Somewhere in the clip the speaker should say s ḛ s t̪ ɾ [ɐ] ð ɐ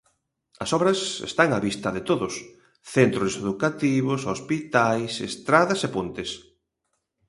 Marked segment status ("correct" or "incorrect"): incorrect